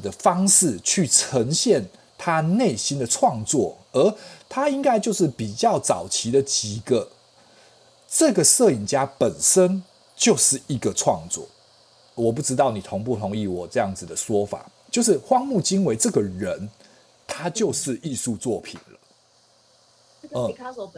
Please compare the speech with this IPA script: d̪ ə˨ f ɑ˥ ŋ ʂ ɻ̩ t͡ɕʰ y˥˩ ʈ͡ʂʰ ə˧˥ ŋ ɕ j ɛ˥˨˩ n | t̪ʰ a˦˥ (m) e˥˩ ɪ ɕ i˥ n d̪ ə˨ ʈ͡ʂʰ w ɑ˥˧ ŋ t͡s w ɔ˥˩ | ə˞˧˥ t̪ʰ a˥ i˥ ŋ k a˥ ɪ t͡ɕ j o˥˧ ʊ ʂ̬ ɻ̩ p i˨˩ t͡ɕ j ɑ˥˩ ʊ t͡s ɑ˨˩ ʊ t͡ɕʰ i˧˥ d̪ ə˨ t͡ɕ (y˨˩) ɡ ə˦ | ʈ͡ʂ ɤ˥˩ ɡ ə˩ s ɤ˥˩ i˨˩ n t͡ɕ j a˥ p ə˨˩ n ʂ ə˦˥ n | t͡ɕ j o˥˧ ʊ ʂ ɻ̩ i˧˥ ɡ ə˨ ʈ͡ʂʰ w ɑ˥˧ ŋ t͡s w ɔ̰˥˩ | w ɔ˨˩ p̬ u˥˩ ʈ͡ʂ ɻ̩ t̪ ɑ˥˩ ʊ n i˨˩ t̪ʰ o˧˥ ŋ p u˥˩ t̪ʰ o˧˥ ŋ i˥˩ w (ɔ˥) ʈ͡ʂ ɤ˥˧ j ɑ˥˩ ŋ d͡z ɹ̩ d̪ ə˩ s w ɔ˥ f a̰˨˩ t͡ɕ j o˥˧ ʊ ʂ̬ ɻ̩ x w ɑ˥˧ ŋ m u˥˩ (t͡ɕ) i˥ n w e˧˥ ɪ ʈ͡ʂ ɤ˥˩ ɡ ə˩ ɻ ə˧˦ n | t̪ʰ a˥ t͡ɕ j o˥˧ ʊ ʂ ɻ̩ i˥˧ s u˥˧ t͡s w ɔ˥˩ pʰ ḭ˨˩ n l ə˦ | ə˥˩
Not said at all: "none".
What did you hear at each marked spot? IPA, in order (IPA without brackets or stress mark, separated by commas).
n, i˨˩, ɔ˨˩, t͡ɕ